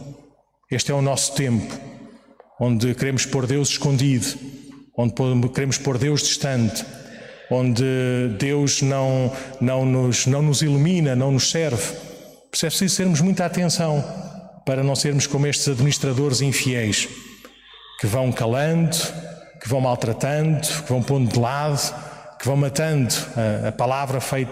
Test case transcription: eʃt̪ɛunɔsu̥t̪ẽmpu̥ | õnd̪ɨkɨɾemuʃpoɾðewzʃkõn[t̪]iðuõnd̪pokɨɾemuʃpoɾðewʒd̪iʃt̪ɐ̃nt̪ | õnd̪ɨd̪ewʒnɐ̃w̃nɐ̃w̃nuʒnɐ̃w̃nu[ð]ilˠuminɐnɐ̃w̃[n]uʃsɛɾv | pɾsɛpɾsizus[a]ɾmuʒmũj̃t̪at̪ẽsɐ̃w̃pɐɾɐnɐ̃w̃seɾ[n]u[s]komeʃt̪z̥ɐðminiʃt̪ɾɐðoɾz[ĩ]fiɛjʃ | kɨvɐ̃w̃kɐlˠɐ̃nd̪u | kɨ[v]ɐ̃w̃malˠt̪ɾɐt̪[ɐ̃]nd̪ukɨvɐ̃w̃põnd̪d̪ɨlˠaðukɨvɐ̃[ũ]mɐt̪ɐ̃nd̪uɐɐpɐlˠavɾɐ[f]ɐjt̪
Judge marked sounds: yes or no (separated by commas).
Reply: no, no, yes, no, no, no, yes, yes, yes, no, yes